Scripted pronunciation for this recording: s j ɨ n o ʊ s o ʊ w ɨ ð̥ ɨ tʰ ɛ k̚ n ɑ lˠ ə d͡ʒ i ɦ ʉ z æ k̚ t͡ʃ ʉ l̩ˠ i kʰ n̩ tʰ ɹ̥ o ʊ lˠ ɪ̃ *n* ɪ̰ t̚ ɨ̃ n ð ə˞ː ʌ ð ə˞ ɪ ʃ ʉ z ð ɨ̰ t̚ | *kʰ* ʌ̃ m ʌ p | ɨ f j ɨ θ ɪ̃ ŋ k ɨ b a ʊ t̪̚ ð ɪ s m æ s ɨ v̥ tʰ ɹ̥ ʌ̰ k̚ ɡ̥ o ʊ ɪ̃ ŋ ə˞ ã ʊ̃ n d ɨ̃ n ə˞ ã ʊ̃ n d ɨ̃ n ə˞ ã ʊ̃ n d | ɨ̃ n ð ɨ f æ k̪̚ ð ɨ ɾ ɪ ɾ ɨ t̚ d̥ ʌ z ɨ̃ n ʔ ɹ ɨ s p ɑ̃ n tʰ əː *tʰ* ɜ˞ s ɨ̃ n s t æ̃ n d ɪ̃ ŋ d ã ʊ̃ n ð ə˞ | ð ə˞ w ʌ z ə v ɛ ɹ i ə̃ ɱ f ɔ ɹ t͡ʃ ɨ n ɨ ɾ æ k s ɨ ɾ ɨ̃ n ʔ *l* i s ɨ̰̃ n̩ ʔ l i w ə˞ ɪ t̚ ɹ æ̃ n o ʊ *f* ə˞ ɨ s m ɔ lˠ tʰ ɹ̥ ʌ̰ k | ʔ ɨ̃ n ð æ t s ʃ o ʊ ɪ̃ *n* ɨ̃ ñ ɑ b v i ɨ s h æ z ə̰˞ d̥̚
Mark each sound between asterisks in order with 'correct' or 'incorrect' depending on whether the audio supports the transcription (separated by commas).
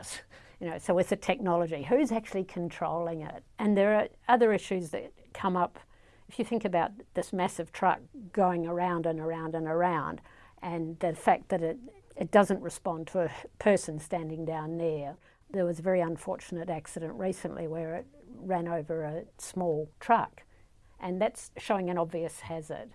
incorrect, correct, incorrect, incorrect, incorrect, incorrect